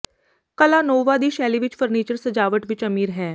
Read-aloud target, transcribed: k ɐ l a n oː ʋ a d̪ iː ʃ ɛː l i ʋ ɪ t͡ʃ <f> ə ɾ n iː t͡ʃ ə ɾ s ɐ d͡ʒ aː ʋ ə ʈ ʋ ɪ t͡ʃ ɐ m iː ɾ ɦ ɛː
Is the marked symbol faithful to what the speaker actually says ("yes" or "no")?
yes